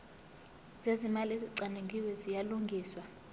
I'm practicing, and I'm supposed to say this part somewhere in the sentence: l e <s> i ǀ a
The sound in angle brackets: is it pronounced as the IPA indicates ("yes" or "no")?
no